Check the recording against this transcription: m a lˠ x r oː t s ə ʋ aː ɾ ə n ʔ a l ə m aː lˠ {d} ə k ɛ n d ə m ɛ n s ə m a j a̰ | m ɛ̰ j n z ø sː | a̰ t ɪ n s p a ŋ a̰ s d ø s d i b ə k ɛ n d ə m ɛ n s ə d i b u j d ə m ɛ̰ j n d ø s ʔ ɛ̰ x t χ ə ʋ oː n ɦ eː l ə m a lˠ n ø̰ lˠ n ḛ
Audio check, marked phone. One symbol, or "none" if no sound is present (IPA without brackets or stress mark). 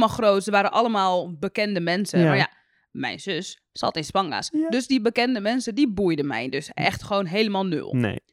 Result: b